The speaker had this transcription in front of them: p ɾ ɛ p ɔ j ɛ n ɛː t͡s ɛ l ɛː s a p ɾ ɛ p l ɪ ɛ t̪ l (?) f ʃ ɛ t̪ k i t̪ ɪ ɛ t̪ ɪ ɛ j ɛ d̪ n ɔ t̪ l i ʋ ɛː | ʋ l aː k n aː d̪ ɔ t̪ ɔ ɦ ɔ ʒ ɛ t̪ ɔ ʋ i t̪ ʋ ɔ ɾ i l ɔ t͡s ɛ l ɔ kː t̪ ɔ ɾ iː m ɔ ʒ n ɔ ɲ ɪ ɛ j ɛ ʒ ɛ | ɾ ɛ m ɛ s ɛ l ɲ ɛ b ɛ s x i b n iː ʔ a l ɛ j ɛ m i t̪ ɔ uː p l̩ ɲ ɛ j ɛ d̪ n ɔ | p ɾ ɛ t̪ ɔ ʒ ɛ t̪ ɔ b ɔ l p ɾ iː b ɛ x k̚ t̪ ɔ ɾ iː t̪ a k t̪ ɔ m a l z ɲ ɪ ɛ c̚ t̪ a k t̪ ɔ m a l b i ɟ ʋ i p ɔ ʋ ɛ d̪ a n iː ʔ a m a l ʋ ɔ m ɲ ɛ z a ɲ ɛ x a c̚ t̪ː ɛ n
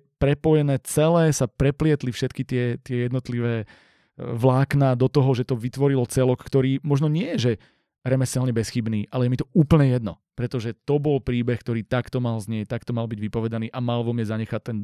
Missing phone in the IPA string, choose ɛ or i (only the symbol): i